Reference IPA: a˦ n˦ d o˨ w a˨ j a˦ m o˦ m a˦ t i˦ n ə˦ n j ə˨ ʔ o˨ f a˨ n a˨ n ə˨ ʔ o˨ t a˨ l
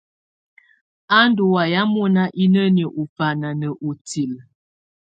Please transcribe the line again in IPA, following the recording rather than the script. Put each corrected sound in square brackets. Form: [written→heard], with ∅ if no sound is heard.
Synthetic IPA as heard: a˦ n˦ d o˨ w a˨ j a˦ m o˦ [m→n] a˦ [t→ʔ] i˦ n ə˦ n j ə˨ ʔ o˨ f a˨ n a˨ n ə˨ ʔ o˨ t [a˨→i˨] l